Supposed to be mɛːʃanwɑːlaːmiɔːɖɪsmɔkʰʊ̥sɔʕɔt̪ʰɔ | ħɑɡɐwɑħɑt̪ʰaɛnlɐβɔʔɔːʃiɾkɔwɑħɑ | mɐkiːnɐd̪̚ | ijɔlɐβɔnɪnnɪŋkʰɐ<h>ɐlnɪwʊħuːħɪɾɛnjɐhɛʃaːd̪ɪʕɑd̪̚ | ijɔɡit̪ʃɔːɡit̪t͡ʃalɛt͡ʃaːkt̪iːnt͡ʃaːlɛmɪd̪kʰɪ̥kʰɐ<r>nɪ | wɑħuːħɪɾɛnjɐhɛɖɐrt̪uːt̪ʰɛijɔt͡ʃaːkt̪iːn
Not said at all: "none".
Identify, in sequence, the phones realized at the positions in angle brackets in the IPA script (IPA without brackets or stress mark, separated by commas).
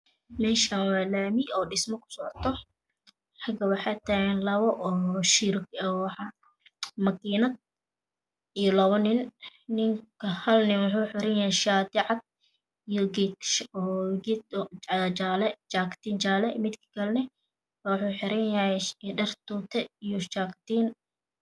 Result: h, l